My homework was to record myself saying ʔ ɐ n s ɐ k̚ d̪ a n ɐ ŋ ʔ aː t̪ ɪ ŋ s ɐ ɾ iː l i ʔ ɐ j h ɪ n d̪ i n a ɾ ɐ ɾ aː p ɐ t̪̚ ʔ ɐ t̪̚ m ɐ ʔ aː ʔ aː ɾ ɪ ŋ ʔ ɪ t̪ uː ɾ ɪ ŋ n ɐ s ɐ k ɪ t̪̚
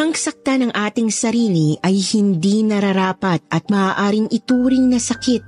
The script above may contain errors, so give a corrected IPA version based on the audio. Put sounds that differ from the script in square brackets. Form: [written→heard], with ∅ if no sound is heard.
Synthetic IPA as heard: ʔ ɐ [n→ŋ] s ɐ k̚ [d̪→t̪] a n ɐ ŋ ʔ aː t̪ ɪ ŋ s ɐ ɾ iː l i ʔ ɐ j h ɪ n d̪ i n [a→ɐ] ɾ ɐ ɾ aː p ɐ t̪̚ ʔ ɐ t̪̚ m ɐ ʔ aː ʔ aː ɾ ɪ ŋ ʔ ɪ t̪ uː ɾ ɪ ŋ n ɐ s ɐ k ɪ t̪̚